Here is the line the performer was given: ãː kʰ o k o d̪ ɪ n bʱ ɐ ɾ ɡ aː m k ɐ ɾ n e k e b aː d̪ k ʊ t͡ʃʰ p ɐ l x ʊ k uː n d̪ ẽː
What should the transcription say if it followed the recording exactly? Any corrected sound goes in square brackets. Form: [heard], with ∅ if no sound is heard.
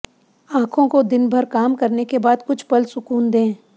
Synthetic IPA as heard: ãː kʰ [õ] k o d̪ ɪ n bʱ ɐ ɾ [k] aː m k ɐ ɾ n e k e b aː d̪ k ʊ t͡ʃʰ p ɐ l [s] ʊ k uː n d̪ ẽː